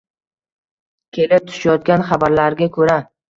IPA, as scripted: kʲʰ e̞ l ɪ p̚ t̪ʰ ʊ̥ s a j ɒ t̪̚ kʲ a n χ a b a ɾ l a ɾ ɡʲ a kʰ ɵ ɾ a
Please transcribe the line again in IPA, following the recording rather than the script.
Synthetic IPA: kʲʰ e̞ l ɪ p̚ t̪ʰ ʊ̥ ʃ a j ɒ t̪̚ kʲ a n χ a b a ɾ l a ɾ ɡʲ a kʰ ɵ ɾ a

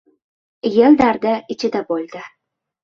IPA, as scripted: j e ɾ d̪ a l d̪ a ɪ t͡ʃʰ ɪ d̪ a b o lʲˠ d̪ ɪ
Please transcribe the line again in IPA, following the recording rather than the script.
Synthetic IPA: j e l d̪ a ɾ d̪ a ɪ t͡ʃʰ ɪ d̪ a b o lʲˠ d̪ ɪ

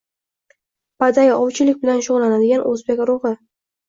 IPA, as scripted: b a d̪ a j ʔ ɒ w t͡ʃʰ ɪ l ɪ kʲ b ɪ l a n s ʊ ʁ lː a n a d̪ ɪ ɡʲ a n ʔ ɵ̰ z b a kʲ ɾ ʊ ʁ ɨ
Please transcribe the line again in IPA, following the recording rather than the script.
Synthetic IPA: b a d̪ a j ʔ ɒ w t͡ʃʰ ɪ l ɪ kʲ b ɪ l a n ʃ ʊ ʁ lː a n a d̪ ɪ ɡʲ a n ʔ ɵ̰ z b e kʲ ɾ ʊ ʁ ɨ

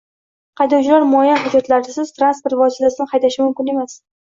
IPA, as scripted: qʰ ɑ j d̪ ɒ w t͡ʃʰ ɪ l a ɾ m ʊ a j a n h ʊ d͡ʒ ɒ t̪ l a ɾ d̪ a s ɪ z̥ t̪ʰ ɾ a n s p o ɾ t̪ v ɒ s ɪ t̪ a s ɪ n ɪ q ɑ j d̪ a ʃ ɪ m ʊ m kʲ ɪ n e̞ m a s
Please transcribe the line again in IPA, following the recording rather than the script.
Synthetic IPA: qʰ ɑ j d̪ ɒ w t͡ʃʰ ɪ l a ɾ m ʊ a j a n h ʊ d͡ʒ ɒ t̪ l a ɾ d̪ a s ɪ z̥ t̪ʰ ɾ a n s p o ɾ t̪ v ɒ s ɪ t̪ a s ɪ n ɪ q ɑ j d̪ a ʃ ɪ m ʊ m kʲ ɪ n e̞ m a s

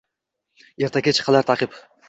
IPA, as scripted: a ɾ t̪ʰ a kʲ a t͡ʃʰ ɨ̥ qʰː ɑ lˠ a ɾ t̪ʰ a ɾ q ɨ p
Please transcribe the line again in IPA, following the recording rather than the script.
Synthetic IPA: e ɾ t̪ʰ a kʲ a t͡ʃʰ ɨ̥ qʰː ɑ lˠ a ɾ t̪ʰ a q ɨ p

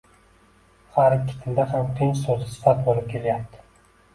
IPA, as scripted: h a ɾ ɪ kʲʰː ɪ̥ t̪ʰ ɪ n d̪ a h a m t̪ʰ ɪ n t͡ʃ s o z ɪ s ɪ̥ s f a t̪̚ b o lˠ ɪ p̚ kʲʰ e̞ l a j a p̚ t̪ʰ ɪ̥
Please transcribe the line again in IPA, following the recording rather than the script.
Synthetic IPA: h a ɾ ɪ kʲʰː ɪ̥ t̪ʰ ɪ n d̪ a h a m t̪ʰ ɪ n t͡ʃ s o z ɪ s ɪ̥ f a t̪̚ b o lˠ ɪ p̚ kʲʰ e̞ l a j a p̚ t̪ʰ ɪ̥

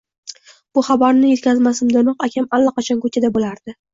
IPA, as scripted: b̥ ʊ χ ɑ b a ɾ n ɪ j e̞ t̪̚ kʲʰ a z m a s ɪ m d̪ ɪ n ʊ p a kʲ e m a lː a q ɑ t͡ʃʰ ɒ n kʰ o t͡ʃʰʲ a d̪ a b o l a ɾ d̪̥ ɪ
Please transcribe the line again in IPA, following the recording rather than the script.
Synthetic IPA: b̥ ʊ χ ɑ b a ɾ n ɪ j e̞ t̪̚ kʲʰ a z m a s ɪ m d̪ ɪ n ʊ q a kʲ a m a lː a q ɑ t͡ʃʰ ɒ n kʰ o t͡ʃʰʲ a d̪ a b o l a ɾ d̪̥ ɪ

